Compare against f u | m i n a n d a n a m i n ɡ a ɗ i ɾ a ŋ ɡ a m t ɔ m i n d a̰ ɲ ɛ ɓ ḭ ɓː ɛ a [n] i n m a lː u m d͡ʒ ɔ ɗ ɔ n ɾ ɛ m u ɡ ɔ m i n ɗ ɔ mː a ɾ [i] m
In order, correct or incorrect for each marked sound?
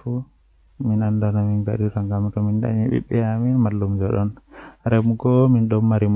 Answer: incorrect: m, correct

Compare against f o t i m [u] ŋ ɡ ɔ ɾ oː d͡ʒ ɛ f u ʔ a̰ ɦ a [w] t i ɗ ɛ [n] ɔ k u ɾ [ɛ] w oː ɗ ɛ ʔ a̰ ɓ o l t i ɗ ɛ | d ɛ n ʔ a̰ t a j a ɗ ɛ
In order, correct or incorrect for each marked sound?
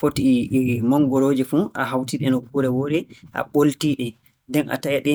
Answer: incorrect: ɔ, correct, correct, correct

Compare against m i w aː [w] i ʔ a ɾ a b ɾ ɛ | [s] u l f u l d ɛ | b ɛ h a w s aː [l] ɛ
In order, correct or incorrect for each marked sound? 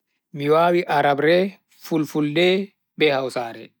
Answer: correct, incorrect: f, incorrect: ɾ

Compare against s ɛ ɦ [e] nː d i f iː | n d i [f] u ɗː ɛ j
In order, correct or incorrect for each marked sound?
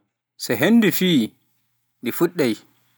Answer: correct, correct

